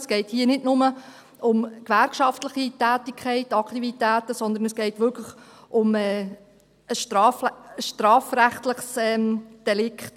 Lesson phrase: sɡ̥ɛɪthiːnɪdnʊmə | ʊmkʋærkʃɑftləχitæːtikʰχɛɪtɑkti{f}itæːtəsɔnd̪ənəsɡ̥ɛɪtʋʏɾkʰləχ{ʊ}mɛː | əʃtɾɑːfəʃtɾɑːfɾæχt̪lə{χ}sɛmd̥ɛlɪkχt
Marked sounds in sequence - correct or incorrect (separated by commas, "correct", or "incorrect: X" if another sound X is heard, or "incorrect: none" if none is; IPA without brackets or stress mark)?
incorrect: v, correct, correct